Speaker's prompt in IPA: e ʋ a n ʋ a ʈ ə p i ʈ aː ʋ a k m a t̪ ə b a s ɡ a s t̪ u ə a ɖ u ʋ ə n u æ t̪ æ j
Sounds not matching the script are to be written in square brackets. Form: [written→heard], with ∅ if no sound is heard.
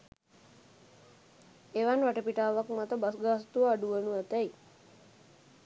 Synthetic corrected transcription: e ʋ a n ʋ a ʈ ə p i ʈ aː ʋ a k m a t̪ ə b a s ɡ a s t̪ u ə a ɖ u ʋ ə n u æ t̪ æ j

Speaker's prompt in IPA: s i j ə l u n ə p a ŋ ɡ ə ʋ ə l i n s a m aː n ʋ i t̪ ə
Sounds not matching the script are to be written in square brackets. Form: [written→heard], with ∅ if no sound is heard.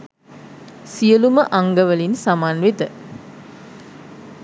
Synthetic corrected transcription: s i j ə l u [n→m] ə [p→ʔ] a ŋ ɡ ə ʋ ə l i n s a m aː n ʋ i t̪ ə

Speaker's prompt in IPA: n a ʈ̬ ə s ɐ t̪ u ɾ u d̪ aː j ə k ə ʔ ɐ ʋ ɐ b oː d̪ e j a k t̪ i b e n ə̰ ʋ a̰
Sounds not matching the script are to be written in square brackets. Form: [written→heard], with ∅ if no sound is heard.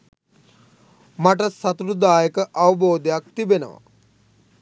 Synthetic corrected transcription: [n→m] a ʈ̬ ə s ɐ t̪ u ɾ u d̪ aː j ə k ə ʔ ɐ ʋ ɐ b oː d̪ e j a k t̪ i b e n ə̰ ʋ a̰

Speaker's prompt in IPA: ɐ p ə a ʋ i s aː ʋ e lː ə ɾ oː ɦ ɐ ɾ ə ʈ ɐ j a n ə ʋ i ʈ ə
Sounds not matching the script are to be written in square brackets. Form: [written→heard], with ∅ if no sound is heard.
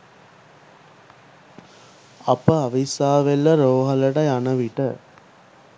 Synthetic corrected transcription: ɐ p ə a ʋ i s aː ʋ e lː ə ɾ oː ɦ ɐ [ɾ→l] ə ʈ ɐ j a n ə ʋ i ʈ ə

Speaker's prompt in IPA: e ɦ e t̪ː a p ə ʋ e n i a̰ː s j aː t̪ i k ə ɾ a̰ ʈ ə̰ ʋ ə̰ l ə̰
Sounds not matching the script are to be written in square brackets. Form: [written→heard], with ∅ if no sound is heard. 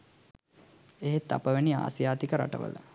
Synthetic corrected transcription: e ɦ e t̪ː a p ə ʋ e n i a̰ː s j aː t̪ i k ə ɾ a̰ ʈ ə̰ ʋ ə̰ l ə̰

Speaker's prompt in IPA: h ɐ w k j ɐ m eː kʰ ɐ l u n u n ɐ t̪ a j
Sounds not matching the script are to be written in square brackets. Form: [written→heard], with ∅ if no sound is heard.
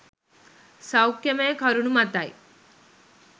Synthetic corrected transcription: [h→s] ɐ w k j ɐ m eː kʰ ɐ [l→ɾ] u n u [n→m] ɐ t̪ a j

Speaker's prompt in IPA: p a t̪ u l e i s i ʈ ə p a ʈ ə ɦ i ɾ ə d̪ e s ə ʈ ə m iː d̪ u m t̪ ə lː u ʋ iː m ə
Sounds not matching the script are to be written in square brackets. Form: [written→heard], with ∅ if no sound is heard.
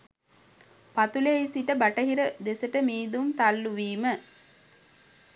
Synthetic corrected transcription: p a t̪ u l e i s i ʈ ə [p→b] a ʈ ə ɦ i ɾ ə d̪ e s ə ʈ ə m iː d̪ u m t̪ [ə→a] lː u ʋ iː m ə

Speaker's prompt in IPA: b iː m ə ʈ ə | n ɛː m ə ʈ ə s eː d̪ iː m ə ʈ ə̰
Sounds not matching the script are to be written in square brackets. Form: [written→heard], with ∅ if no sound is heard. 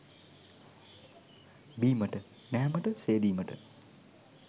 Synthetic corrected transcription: b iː m ə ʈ ə | n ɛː m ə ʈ ə s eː d̪ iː m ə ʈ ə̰

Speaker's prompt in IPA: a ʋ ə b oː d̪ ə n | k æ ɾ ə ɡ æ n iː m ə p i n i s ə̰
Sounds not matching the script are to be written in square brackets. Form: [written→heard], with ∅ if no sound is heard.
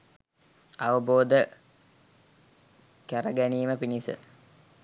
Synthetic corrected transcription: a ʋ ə b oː d̪ ə [n→∅] | k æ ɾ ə ɡ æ n iː m ə p i n i s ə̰

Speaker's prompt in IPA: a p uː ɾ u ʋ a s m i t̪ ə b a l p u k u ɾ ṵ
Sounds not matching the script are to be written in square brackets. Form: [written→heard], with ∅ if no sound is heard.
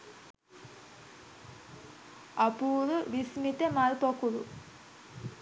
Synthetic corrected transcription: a p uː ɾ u ʋ [a→i] s m i t̪ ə [b→m] a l p [u→o] k u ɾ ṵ

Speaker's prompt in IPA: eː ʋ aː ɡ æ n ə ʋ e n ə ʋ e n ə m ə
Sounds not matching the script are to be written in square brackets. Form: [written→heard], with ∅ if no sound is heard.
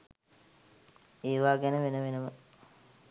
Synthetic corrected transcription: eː ʋ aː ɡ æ n ə ʋ e n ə ʋ e n ə m ə

